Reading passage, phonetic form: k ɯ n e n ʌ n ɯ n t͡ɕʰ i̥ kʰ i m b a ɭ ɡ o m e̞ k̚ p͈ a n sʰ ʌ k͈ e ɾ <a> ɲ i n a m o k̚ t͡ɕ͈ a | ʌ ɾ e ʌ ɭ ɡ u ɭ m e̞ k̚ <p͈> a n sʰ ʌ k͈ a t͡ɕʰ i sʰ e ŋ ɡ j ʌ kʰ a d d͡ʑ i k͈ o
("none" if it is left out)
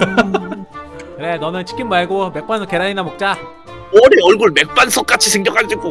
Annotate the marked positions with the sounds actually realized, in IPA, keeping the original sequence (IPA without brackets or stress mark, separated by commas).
a, p͈